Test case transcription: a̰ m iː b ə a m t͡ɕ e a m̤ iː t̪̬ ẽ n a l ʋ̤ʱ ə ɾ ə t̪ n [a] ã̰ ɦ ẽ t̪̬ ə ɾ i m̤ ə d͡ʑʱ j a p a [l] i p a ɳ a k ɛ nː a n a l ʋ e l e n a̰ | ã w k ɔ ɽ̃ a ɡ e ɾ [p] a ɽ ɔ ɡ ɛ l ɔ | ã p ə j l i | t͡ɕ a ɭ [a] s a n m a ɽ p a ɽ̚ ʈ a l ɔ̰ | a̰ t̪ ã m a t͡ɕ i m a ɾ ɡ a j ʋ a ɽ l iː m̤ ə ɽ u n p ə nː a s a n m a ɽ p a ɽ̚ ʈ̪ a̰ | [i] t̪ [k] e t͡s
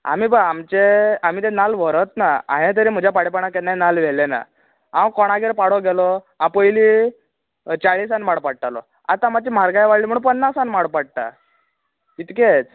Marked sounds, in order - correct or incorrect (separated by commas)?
correct, incorrect, correct, incorrect, correct, correct